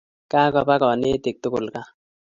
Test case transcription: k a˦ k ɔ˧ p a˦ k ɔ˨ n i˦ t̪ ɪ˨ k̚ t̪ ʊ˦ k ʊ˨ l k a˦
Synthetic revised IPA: k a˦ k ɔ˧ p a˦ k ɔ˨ n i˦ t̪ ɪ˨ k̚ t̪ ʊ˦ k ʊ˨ l k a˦